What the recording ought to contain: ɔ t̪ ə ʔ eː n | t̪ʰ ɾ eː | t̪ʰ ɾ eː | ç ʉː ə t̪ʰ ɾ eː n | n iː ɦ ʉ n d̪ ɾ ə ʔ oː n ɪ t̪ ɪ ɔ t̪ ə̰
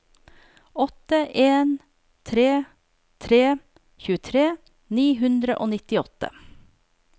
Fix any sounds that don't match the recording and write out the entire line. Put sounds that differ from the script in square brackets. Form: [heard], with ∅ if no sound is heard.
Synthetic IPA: ɔ t̪ ə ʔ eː n | t̪ʰ ɾ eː | t̪ʰ ɾ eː | ç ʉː ə t̪ʰ ɾ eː [∅] | n iː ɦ ʉ n d̪ ɾ ə ʔ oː n ɪ t̪ ɪ ɔ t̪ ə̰